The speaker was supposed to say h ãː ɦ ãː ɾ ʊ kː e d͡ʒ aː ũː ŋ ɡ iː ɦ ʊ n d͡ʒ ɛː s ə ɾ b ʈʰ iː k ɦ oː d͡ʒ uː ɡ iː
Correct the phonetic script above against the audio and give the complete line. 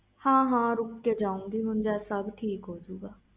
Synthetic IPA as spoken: h ãː ɦ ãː ɾ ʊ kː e d͡ʒ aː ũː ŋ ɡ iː ɦ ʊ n d͡ʒ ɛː s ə b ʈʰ iː k ɦ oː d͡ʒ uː ɡ aː